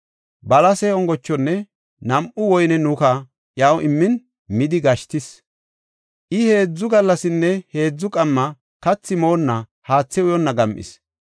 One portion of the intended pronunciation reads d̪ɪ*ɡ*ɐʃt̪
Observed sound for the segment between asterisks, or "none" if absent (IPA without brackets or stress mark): ɡ